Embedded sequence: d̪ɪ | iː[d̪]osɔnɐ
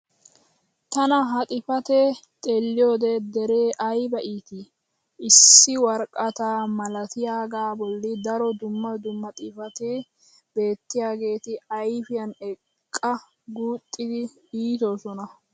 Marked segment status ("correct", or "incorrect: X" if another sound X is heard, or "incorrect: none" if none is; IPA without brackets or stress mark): incorrect: t̪